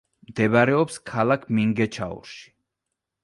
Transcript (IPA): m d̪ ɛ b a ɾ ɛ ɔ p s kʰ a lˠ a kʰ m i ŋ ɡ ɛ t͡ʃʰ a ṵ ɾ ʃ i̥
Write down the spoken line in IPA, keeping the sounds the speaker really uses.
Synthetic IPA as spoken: m d̪ ɛ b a ɾ ɛ ɔ p s kʰ a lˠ a kʰ m i ŋ ɡ ɛ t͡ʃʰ a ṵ ɾ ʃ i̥